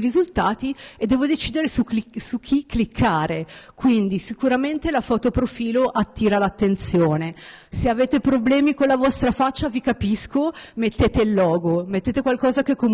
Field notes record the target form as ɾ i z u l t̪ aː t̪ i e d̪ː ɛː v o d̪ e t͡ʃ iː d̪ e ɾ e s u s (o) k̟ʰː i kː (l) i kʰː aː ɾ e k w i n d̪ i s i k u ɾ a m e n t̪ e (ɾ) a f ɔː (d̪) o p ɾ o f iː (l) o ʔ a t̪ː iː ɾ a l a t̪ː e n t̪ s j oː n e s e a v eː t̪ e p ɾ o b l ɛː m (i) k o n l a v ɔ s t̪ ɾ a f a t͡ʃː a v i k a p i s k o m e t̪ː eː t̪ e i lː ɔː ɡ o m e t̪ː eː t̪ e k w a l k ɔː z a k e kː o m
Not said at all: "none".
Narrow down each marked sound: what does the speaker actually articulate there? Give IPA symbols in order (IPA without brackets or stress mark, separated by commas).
u, l, l, t̪, l, i